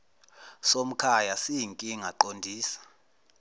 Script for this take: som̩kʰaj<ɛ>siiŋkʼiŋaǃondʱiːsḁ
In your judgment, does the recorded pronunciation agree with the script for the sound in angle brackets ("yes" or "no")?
no